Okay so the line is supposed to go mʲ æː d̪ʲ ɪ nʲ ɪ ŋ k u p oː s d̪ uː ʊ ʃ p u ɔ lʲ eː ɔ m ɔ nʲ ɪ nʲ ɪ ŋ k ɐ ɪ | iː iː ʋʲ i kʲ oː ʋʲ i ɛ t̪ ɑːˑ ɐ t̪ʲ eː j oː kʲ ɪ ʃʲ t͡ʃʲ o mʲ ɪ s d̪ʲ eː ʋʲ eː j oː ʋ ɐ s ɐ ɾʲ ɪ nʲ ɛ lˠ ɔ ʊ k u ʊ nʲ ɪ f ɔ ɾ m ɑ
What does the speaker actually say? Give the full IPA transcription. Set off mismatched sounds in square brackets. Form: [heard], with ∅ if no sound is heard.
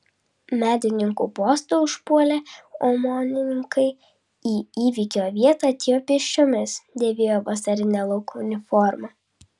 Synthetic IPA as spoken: mʲ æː d̪ʲ ɪ nʲ ɪ ŋ k u p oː s [t̪] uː ʊ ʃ p u ɔ lʲ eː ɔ m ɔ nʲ ɪ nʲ ɪ ŋ k ɐ ɪ | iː iː ʋʲ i kʲ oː ʋʲ i ɛ t̪ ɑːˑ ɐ t̪ʲ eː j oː [pʲ] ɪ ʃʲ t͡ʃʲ o mʲ ɪ s d̪ʲ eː ʋʲ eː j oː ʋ ɐ s ɐ ɾʲ ɪ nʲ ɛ lˠ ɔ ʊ k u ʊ nʲ ɪ f ɔ ɾ m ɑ